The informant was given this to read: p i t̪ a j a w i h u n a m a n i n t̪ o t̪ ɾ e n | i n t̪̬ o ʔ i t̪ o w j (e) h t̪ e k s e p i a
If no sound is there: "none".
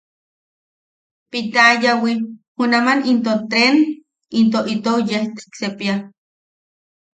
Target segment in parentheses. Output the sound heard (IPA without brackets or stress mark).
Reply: e